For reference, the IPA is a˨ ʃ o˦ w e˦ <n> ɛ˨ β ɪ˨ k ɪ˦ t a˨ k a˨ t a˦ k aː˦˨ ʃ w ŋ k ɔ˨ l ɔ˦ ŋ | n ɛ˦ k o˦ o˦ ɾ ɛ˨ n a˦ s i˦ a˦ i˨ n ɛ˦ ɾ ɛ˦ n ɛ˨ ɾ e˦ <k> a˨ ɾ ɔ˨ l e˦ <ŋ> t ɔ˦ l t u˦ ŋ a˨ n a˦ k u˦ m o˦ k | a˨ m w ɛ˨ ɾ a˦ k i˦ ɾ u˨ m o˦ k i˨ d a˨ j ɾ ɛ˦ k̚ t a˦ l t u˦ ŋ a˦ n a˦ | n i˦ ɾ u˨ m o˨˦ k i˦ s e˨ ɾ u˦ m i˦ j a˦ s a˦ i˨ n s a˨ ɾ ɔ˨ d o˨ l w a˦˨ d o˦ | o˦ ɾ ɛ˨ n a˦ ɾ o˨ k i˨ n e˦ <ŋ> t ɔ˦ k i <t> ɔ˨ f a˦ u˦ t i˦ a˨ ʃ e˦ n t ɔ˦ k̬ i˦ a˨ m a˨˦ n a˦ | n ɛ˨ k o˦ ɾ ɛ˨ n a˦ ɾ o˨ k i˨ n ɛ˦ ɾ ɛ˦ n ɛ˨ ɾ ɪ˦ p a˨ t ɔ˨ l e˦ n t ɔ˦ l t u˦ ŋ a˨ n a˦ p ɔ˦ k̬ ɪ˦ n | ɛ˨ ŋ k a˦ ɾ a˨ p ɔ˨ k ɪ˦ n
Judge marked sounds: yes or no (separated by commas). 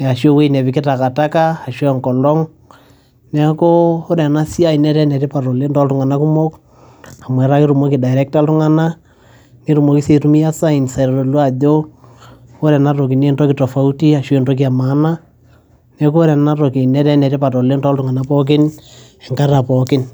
yes, no, no, no, yes